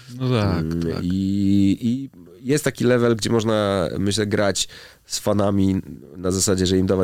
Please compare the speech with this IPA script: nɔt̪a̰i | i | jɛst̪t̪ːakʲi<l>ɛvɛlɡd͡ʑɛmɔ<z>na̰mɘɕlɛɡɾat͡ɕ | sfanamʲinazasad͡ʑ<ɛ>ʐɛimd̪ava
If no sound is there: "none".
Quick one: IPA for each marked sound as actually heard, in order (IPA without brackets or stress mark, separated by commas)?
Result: l, ʐ, ɛ